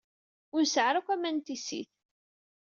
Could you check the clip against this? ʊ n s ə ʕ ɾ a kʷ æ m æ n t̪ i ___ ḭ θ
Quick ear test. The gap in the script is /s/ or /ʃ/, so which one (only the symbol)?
s